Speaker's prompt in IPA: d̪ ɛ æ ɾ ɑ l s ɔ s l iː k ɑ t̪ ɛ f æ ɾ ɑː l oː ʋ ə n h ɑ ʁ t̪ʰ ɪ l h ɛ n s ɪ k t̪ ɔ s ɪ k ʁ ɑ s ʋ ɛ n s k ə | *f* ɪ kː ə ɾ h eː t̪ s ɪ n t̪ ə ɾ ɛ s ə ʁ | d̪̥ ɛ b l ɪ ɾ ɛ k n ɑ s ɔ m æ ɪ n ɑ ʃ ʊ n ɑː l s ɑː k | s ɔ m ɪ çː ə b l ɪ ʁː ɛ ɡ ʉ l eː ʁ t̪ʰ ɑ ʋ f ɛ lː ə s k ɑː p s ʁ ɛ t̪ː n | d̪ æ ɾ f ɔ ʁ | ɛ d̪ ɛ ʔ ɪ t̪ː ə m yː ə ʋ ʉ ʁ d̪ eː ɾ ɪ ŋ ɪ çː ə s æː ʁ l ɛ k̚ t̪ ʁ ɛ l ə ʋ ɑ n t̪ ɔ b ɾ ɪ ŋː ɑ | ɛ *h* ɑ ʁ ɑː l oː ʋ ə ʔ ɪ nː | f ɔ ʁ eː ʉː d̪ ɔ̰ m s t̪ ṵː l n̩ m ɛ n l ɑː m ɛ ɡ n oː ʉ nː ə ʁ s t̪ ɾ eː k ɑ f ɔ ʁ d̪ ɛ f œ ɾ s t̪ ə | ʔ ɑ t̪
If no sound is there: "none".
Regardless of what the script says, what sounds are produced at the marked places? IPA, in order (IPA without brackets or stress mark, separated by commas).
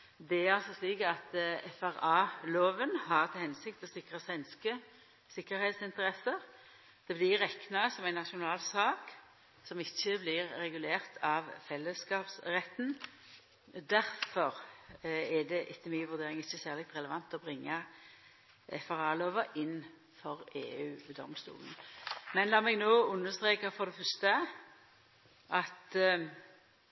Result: s, f